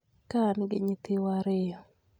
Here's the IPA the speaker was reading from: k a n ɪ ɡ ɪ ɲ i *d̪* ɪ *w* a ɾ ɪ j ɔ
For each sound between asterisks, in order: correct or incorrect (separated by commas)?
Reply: incorrect, correct